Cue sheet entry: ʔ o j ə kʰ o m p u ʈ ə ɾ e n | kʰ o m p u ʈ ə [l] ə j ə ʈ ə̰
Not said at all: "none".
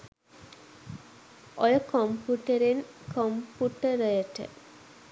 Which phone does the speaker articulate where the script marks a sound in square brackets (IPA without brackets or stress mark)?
ɾ